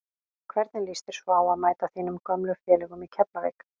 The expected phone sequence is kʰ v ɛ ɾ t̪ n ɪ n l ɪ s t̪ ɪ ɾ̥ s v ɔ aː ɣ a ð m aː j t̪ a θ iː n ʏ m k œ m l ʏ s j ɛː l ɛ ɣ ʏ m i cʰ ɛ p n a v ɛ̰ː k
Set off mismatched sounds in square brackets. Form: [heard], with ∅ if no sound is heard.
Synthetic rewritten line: kʰ v ɛ ɾ t̪ n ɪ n l [i] s t̪ ɪ ɾ̥ s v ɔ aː [w] a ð m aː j t̪ a θ iː n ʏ m k œ m l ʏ [f] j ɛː l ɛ ɣ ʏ m i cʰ ɛ p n a v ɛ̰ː k